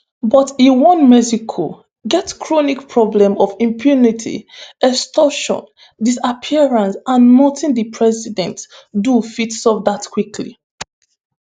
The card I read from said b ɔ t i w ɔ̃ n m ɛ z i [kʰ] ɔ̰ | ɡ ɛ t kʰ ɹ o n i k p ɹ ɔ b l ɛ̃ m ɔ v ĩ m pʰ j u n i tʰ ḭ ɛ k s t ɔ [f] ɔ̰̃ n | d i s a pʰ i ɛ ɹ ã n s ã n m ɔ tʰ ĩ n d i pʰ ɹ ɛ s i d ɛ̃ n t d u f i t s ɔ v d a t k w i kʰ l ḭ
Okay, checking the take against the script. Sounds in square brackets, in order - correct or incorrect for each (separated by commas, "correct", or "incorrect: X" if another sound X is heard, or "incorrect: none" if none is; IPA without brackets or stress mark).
correct, incorrect: ʃ